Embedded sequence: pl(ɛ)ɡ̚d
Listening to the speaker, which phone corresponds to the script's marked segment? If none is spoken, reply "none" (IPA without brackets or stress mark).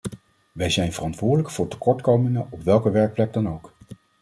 ɛ